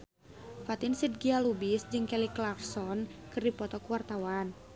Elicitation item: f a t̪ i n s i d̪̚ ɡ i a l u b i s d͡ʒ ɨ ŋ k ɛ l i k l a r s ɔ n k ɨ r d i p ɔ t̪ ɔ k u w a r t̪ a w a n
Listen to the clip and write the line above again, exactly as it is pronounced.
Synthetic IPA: f a t̪ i n s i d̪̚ ɡ i a l u b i s d͡ʒ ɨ ŋ k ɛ l i k l a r s ɔ n k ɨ r d i p ɔ t̪ ɔ k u w a r t̪ a w a n